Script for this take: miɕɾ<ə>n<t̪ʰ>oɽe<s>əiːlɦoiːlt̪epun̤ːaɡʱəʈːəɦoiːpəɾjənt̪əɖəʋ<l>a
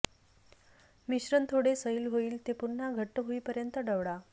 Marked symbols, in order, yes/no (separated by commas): yes, yes, yes, no